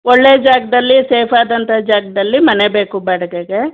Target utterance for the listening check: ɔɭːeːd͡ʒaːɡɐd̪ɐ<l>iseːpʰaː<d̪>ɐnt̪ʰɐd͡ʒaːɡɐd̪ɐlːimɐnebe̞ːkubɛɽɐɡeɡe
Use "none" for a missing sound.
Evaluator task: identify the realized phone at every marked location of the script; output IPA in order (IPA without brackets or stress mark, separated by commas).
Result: lː, d̪